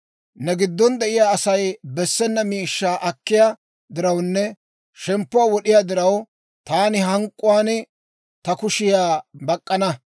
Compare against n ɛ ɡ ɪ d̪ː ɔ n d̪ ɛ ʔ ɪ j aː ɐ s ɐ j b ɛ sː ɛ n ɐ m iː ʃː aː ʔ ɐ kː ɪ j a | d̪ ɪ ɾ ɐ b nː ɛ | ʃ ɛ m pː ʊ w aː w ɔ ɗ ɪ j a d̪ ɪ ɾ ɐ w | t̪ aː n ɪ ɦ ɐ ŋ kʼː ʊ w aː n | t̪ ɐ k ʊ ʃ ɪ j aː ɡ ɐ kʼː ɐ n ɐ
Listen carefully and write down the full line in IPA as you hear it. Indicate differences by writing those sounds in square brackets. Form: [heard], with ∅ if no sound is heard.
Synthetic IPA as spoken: n ɛ ɡ ɪ d̪ː ɔ n d̪ ɛ ʔ ɪ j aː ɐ s ɐ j b ɛ sː ɛ [nː] ɐ m iː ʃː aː ʔ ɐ kː ɪ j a | d̪ ɪ ɾ ɐ [w] nː ɛ | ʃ ɛ m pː ʊ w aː w ɔ ɗ ɪ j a d̪ ɪ ɾ ɐ w | t̪ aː n ɪ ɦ ɐ ŋ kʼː ʊ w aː n | t̪ ɐ k ʊ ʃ ɪ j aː [b] ɐ kʼː ɐ n ɐ